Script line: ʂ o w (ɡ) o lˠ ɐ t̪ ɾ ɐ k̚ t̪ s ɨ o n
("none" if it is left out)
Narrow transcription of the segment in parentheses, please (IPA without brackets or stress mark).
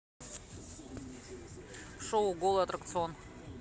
ɡ